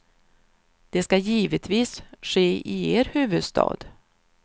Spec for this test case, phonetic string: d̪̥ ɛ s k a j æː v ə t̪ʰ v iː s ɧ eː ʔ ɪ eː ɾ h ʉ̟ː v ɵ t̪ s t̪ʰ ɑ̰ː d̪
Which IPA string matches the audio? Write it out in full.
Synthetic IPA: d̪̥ ɛ s k a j iː v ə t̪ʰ v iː s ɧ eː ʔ ɪ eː ɾ h ʉ̟ː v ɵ d̪ s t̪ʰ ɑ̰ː d̪